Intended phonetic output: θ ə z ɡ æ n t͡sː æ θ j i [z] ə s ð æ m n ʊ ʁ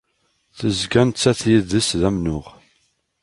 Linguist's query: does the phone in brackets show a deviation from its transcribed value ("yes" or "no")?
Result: yes